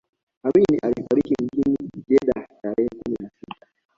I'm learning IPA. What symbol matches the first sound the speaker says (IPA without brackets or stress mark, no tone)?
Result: a